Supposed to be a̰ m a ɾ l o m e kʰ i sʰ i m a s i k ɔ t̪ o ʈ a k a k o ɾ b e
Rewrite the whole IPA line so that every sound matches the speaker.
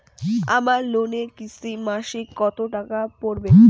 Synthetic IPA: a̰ m a ɾ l o n e k i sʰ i m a ʃ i k ɔ t̪ o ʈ a k a p o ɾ b e